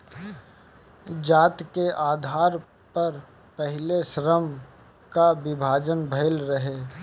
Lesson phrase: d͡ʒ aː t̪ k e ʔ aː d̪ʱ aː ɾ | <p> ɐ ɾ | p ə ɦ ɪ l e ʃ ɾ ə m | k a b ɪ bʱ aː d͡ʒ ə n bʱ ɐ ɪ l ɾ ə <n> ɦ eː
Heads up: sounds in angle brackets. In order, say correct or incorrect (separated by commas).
correct, incorrect